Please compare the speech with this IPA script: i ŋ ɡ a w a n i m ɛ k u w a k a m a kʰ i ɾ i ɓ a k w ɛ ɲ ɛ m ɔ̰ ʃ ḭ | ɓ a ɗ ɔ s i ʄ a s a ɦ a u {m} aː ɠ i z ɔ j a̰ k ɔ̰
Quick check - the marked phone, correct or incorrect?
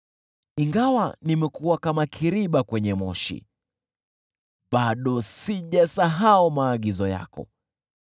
correct